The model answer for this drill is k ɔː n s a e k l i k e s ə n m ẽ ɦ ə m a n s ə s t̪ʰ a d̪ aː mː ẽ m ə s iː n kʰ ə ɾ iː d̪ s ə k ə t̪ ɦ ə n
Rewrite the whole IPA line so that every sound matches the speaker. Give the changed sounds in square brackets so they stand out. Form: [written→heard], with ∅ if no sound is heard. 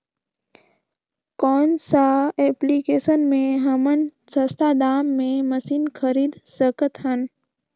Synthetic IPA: k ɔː n s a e [k→p] l i k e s ə n m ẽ ɦ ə m [a→ə] n s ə s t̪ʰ a d̪ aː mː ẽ m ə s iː n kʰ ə ɾ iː d̪ s ə k ə t̪ ɦ ə n